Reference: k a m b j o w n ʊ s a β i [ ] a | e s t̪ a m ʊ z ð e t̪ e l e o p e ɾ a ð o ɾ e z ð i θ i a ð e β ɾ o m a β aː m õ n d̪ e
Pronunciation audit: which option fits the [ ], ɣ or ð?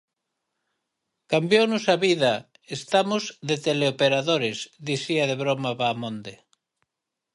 ð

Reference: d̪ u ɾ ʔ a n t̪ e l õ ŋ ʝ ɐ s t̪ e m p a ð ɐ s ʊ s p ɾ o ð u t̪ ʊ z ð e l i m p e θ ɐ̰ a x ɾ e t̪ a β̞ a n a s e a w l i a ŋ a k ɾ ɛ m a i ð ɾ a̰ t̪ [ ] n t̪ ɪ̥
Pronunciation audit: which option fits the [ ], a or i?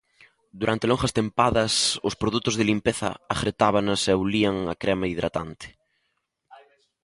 a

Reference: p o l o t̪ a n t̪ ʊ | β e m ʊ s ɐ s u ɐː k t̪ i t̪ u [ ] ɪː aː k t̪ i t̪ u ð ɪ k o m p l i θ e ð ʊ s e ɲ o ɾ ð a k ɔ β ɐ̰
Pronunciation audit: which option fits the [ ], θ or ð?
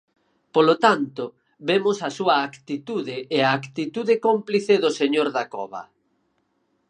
ð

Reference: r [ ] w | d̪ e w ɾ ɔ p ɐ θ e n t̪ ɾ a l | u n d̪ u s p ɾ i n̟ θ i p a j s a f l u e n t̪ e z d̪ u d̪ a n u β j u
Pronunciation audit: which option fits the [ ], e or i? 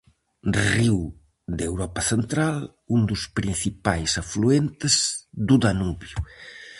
i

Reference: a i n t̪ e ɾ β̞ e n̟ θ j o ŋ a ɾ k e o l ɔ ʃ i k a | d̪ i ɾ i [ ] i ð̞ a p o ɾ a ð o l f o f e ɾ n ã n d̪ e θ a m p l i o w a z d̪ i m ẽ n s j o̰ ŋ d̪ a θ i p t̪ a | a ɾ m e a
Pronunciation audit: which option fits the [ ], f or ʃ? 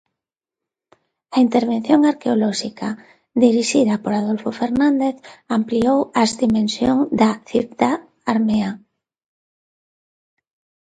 ʃ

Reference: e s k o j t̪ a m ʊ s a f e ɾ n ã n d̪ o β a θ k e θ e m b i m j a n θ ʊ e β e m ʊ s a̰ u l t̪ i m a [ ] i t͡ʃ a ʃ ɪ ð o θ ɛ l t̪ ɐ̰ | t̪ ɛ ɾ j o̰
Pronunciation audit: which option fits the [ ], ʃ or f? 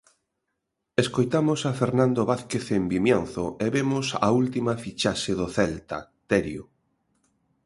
f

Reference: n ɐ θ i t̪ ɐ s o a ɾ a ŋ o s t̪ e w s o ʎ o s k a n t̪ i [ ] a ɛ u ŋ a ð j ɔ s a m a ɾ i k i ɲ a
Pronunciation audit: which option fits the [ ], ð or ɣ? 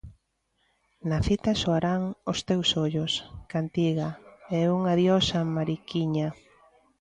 ɣ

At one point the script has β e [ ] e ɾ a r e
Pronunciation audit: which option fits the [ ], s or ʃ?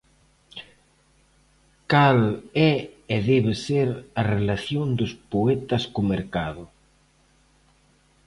s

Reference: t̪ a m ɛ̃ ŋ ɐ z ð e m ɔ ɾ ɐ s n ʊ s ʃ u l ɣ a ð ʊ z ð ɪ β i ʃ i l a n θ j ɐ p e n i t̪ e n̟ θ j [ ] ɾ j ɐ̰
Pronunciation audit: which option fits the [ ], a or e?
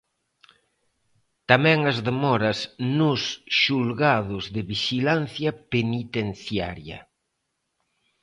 a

